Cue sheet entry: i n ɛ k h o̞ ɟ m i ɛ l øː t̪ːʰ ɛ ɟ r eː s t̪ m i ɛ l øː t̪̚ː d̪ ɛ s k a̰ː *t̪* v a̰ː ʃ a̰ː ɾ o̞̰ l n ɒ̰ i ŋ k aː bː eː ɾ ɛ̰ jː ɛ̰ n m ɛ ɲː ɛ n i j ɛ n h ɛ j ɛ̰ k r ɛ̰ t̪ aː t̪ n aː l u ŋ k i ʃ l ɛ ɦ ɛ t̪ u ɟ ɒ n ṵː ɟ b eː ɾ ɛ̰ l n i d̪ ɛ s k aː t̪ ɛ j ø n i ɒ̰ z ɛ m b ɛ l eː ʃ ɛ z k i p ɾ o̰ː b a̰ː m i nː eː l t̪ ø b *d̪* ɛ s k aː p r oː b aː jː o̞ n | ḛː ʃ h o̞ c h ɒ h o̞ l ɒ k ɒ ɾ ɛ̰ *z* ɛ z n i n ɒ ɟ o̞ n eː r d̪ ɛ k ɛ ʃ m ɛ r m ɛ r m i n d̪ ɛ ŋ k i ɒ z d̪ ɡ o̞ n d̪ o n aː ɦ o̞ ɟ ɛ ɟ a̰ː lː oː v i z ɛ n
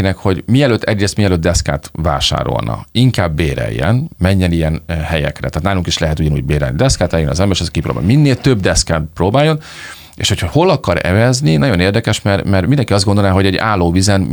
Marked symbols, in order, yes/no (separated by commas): yes, yes, no